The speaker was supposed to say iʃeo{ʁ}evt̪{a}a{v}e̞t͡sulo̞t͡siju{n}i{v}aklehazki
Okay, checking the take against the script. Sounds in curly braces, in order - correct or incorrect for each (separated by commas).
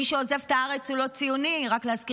incorrect, correct, incorrect, correct, incorrect